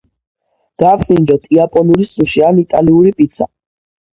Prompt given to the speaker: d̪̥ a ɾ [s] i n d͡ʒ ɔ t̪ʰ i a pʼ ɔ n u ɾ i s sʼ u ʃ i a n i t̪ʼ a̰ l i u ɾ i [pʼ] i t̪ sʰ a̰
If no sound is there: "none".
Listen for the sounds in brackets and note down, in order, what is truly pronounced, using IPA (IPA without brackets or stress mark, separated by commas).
s, pʼ